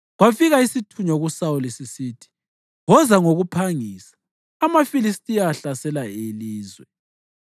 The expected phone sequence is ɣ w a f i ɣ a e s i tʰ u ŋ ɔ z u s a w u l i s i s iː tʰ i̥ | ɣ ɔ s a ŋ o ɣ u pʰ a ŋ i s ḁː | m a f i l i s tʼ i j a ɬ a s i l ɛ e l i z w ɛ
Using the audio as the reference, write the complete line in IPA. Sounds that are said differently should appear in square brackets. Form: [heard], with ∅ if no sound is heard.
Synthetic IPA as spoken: ɣ w a f i ɣ a [i] s i tʰ u [ɲ] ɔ [ɣ] u s a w u l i s i s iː tʰ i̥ | ɣ ɔ [z] a ŋ o ɣ u pʰ a ŋ i s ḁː | m a f i l i s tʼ i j a ɬ a s [ɛ] l [a] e l [iː] z w ɛ